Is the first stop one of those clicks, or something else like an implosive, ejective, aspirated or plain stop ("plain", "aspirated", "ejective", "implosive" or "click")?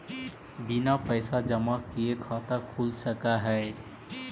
plain